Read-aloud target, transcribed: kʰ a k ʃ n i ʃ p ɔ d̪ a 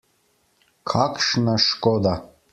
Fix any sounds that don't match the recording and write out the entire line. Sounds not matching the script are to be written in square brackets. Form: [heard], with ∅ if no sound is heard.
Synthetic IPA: kʰ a k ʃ n [a] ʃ [k] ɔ d̪ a